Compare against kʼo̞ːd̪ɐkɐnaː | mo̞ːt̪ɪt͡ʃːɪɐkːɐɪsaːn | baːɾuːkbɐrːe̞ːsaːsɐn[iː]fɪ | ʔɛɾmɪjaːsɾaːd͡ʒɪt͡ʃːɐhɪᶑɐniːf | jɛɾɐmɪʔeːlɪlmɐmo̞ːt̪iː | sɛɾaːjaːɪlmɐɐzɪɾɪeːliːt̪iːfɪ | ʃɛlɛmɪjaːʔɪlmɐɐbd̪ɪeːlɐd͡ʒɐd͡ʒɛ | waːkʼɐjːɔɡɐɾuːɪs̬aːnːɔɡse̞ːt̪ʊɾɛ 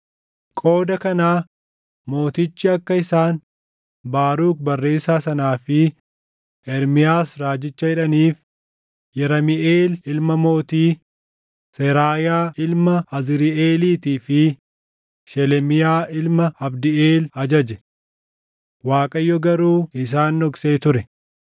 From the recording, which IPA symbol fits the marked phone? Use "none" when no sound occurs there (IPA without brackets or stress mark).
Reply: aː